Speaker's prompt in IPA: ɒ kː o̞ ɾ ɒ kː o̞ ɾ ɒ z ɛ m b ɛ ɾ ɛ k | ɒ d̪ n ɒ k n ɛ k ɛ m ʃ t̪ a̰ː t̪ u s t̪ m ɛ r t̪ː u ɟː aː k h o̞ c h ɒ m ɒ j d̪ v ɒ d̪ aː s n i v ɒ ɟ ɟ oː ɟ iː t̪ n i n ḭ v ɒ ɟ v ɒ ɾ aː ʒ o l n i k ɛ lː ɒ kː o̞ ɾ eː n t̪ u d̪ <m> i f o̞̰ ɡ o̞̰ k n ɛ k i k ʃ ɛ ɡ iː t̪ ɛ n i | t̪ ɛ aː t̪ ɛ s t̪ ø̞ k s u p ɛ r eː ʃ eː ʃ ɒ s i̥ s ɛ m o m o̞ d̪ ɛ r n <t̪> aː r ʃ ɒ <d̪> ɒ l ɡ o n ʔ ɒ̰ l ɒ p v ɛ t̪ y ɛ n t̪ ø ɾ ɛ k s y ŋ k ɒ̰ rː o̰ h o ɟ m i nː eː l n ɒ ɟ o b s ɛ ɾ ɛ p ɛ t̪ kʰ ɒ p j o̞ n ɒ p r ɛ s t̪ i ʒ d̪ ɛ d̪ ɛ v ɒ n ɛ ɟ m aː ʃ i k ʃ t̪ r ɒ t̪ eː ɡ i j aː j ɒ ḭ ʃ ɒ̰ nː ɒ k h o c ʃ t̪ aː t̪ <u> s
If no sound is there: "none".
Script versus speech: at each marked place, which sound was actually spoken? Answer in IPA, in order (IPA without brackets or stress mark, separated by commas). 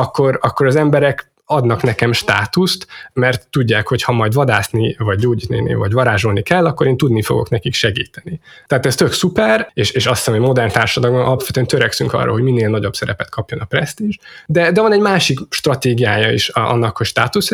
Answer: n, t̪, d̪, u